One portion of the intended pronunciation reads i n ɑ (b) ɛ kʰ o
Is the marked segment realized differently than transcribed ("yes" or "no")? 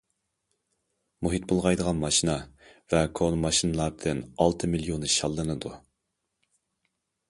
yes